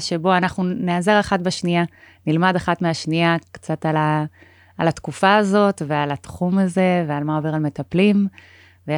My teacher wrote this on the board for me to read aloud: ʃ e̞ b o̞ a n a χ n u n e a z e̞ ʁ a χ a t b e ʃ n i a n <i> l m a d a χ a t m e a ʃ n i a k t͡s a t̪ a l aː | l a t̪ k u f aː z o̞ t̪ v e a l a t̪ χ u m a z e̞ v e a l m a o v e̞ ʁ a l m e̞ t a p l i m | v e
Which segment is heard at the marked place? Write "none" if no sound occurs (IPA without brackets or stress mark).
i